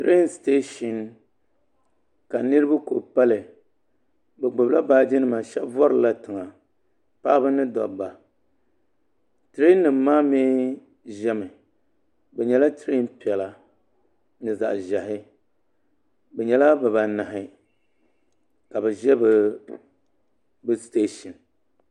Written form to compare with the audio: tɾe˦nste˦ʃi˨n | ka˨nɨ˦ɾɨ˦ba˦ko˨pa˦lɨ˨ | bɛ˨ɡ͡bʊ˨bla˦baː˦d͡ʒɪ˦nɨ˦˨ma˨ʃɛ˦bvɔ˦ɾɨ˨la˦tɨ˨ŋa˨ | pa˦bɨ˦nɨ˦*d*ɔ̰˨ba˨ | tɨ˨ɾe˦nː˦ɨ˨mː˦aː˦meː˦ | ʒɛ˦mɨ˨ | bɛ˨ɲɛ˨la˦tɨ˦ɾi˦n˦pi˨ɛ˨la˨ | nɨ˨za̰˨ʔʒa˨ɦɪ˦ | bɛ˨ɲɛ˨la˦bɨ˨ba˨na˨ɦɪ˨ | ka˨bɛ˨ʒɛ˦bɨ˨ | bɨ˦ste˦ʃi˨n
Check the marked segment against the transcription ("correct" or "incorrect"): correct